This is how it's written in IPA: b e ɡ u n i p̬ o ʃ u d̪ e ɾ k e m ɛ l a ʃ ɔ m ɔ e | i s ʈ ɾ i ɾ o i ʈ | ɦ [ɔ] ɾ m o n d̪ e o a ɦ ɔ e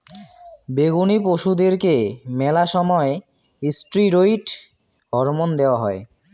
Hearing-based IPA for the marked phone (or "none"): ɔ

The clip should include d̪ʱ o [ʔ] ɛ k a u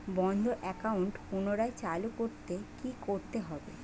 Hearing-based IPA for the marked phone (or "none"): ʔ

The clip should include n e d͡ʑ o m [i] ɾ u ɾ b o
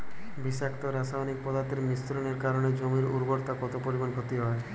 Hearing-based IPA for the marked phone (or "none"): i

